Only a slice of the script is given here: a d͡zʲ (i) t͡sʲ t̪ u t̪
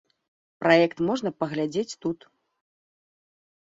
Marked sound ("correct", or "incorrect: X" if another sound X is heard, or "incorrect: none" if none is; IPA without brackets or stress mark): incorrect: e